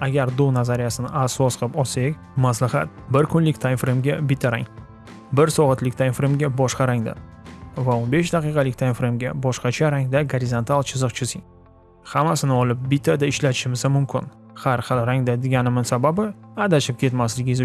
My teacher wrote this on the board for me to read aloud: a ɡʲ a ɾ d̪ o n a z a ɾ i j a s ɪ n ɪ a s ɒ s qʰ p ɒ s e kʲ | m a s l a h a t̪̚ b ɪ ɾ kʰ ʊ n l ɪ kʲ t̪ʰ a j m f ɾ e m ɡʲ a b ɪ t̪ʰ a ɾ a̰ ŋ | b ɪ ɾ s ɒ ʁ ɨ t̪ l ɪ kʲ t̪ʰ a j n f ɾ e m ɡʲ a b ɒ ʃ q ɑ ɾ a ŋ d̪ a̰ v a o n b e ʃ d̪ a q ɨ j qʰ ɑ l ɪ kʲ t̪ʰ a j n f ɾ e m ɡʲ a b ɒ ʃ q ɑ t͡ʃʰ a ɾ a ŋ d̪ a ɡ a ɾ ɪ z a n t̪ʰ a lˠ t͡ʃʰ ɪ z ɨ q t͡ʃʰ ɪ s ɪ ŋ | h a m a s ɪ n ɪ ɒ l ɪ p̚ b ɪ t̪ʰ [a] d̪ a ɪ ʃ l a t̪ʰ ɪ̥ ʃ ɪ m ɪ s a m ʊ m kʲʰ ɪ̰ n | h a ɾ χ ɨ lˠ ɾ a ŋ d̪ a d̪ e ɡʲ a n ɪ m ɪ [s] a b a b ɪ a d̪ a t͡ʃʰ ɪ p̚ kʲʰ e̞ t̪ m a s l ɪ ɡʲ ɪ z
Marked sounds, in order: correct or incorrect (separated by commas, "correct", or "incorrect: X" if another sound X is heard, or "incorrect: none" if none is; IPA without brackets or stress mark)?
correct, correct